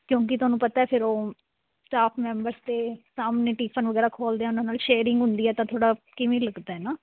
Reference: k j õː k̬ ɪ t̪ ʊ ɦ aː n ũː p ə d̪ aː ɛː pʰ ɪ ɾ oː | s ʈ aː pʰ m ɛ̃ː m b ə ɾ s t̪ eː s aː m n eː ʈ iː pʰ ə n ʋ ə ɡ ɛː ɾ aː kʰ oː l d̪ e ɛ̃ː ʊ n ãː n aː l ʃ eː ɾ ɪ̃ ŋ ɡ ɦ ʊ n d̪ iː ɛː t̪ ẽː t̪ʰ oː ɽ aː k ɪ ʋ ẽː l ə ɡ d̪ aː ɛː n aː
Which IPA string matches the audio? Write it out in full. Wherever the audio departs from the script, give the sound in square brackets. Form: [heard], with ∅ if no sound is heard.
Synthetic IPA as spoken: k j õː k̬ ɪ t̪ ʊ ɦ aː n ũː p ə [t̪] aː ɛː pʰ ɪ ɾ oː | s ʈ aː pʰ m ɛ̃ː m b ə ɾ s t̪ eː s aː m n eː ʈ iː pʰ ə n ʋ ə ɡ ɛː ɾ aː kʰ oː l d̪ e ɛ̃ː ʊ n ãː n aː l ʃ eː ɾ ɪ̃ ŋ ɡ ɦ ʊ n d̪ iː ɛː t̪ [ãː] t̪ʰ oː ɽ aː k ɪ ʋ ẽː l ə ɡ d̪ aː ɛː n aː